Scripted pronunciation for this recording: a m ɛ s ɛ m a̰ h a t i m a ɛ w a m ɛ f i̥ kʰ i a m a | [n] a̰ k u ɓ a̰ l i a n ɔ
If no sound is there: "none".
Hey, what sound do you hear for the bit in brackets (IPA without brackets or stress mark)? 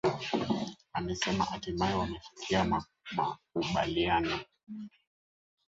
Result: m